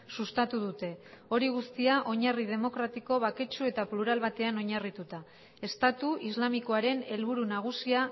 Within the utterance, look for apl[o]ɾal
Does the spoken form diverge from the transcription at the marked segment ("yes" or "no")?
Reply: yes